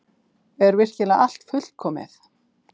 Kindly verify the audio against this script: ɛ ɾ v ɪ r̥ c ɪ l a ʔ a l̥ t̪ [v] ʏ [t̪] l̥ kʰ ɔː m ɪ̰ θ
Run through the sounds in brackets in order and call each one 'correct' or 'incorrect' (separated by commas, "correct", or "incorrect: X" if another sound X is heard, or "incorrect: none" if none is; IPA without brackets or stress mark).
incorrect: f, incorrect: none